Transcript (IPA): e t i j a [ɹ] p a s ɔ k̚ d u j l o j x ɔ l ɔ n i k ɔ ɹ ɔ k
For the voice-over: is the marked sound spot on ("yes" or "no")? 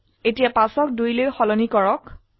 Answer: no